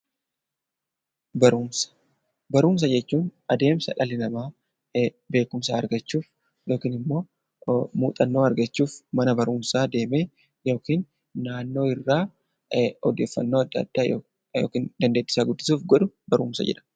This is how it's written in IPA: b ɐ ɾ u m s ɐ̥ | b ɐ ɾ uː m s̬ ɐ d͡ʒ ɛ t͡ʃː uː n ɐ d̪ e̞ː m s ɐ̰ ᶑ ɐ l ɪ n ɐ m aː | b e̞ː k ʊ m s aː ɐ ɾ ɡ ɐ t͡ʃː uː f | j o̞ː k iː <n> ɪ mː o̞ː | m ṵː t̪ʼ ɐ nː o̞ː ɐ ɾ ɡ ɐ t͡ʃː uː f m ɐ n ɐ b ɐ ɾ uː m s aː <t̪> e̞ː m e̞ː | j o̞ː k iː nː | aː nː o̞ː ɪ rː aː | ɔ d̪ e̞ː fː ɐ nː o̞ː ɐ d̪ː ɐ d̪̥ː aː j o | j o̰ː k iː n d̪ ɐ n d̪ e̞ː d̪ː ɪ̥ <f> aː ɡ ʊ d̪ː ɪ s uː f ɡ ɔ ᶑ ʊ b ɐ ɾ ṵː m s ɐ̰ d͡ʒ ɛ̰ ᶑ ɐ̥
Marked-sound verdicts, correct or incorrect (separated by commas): correct, incorrect, incorrect